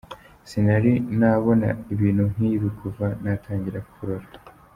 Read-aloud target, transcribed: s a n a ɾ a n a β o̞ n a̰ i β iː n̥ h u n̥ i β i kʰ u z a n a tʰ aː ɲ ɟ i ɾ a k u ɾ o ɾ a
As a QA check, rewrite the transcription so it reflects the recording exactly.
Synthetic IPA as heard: s i n a ɾ i n a β o̞ n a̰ i β iː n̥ h u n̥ i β i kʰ u v a n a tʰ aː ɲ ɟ i ɾ a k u ɾ o ɾ a

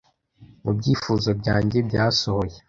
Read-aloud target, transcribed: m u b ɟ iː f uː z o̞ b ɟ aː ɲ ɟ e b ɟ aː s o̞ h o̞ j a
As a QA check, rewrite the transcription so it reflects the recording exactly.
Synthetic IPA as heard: m u b ɟ iː f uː z o̞ b ɟ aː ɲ ɟ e b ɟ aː s o̞ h o̞ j e

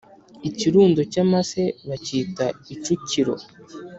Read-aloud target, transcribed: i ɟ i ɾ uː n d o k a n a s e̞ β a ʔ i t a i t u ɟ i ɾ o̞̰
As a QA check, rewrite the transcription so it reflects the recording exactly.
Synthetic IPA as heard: i c i ɾ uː n d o c a m a s e̞ β a c i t a i t͡ʃ u c i ɾ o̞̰

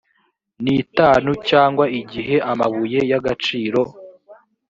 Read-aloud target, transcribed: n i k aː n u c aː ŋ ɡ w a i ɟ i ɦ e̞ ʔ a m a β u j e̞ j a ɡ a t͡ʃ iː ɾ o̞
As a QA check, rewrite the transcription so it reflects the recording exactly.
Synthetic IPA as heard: n i t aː n u c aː ŋ ɡ w a i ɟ i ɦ e̞ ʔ a m a β u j e̞ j a ɡ a t͡ʃ iː ɾ o̞

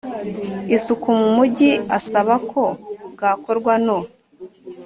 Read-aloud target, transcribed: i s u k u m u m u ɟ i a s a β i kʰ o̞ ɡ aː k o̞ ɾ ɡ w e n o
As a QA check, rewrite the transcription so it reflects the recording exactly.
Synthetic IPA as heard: i s u k u m u m u ɟ i a s a β a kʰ o̞ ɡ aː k o̞ ɾ ɡ w a n o

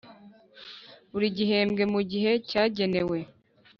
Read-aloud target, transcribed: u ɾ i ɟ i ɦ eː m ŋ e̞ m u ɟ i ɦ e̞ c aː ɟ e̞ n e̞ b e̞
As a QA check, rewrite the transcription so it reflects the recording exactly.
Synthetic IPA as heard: u ɾ i ɟ i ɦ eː m ɡ e̞ m u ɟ i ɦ e̞ c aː ɟ e̞ n e̞ w e̞

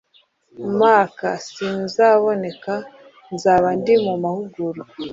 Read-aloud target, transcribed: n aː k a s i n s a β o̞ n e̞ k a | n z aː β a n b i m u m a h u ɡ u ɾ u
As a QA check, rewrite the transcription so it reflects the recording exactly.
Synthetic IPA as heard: m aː k a s i n z a β o̞ n e̞ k a | n z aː β a n d i m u m a h u ɡ u ɾ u

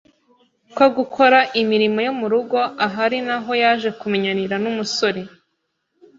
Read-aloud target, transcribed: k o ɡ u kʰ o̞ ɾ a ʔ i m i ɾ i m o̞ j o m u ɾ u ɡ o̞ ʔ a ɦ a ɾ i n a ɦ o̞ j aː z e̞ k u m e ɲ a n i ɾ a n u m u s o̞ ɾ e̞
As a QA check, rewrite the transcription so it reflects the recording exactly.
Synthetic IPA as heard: k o ɡ u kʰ o̞ ɾ a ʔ i m i ɾ i m o̞ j o m u ɾ u ɡ o̞ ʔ a ɦ a ɾ i n a ɦ o̞ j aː ʒ e̞ k u m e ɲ a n i ɾ a n u m u s o̞ ɾ e̞

